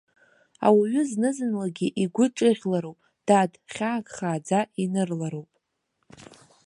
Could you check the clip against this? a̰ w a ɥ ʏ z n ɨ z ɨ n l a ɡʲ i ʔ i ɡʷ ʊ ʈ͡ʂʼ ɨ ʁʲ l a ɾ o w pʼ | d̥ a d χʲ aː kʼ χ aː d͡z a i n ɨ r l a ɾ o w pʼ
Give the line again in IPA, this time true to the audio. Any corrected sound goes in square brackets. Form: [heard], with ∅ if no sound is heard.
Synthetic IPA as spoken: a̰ w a ɥ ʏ z n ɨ z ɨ n l a ɡʲ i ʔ i ɡʷ ʊ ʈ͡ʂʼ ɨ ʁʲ l a ɾ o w pʼ | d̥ a d χʲ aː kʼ χ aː d͡z a i n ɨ r l a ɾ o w pʼ

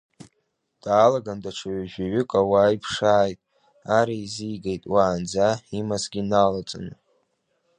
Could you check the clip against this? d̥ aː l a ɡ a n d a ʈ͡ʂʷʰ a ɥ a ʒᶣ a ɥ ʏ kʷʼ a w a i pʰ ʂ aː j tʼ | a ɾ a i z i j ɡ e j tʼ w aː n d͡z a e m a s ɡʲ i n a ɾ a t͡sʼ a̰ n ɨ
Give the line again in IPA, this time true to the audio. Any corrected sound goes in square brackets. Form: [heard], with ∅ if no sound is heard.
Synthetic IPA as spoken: d̥ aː l a ɡ a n d a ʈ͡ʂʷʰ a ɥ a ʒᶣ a ɥ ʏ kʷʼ a w a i pʰ ʂ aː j tʼ | a ɾ a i z i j ɡ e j tʼ w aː n d͡z a [i] m a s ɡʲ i n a [l] a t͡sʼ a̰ n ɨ

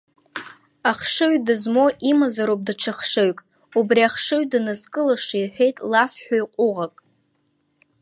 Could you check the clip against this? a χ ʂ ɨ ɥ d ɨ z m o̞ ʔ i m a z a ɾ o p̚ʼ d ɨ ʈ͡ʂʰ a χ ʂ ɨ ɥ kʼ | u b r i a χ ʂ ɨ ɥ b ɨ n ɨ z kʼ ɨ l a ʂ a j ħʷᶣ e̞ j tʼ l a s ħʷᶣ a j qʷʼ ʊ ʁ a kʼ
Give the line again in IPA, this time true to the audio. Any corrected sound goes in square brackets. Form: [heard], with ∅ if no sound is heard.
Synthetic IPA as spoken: a χ ʂ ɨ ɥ d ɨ z m o̞ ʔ i m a z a ɾ o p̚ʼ d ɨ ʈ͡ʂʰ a χ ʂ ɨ ɥ kʼ | u b r i a χ ʂ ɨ ɥ [d] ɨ n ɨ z kʼ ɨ l a ʂ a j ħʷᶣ e̞ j tʼ l a [f] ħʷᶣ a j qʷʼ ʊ ʁ a kʼ

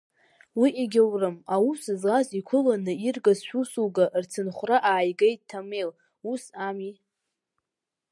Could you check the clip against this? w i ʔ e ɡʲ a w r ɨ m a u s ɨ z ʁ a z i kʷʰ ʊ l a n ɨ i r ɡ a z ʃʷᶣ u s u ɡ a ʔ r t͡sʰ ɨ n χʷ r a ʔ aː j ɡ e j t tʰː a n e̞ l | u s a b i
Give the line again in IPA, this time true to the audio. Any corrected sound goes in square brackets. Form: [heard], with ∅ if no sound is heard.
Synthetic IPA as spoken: w i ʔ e ɡʲ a w r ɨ m a u s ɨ z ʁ a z i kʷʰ ʊ l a n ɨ i r ɡ a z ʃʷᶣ u s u ɡ a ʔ r t͡sʰ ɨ n χʷ r a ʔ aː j ɡ e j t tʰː a [m] e̞ l | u s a [m] i

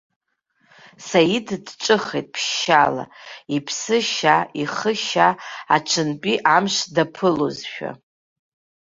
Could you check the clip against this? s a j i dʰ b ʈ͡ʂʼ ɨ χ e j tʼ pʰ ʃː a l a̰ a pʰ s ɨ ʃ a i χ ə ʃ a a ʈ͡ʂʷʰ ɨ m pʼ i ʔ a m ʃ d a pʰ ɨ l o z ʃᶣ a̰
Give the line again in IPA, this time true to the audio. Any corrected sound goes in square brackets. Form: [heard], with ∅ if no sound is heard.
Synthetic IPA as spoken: s a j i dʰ [d] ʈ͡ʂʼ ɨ χ e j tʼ pʰ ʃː a l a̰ [i] pʰ s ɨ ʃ a i χ ə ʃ a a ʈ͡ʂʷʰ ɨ [n] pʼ i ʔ a m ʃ d a pʰ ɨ l o z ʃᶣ a̰

